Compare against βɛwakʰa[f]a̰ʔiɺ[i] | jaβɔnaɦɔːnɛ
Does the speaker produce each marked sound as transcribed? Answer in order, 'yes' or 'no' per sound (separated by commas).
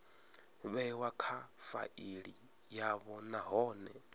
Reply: yes, yes